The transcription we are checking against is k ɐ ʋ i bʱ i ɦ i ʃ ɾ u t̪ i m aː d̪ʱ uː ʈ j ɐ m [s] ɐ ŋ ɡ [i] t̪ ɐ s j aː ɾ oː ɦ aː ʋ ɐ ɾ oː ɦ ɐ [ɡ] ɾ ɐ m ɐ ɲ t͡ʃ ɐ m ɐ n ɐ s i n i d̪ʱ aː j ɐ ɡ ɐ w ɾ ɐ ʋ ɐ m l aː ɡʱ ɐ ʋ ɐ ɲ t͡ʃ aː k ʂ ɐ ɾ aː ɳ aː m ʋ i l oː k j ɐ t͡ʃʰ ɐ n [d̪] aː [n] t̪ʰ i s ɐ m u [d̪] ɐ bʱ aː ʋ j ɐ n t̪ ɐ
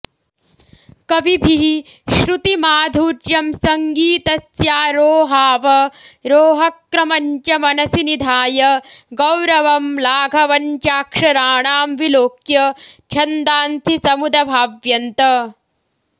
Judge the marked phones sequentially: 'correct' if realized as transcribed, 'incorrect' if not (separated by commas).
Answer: correct, incorrect, incorrect, correct, correct, correct